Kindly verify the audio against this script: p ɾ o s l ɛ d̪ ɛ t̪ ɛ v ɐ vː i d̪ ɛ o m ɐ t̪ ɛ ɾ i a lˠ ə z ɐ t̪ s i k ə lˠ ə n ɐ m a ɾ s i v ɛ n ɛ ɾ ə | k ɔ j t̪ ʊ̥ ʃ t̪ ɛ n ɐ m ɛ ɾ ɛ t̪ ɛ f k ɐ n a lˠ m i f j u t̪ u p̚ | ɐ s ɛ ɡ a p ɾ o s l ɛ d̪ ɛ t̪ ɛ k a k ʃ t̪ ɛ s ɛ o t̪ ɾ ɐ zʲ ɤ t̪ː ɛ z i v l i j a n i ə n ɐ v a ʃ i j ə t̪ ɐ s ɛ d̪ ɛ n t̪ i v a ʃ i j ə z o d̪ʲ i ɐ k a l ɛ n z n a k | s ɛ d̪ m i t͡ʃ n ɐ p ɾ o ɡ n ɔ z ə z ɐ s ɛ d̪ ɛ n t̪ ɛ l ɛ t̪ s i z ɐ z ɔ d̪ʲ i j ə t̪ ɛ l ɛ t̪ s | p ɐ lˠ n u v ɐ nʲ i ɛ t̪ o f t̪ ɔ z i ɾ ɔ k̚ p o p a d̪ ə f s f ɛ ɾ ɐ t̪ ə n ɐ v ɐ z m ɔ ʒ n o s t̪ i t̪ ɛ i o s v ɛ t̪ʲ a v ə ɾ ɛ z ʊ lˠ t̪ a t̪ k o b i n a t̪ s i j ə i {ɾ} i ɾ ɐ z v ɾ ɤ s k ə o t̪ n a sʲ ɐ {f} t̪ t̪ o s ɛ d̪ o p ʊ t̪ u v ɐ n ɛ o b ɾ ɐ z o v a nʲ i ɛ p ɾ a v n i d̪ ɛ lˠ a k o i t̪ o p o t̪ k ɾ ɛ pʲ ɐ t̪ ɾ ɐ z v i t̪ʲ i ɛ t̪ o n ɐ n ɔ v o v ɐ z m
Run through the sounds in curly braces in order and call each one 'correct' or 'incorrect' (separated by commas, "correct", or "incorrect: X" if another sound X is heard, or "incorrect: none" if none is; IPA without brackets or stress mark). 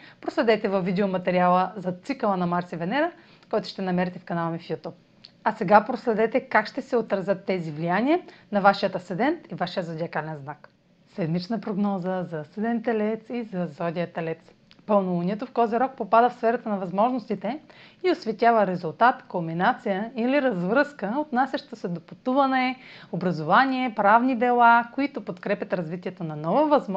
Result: incorrect: l, incorrect: ʃ